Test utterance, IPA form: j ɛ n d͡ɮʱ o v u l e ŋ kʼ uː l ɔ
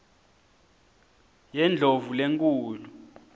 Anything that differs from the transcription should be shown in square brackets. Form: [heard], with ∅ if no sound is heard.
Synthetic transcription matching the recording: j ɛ n d͡ɮʱ o v u l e ŋ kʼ uː l [u]